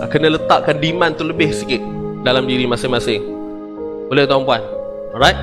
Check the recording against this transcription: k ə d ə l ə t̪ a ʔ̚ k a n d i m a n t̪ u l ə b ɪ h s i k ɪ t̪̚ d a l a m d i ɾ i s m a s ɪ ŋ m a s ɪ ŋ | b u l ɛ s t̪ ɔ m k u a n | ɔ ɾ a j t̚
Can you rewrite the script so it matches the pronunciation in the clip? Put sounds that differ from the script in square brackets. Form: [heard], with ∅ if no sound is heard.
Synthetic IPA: k ə [n] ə l ə t̪ a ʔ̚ k a n d i m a n t̪ u l ə b ɪ h s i k ɪ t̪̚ d a l a m d i ɾ i [∅] m a s ɪ ŋ m a s ɪ ŋ | b [o] l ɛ [h] t̪ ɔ m [p] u a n | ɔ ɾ a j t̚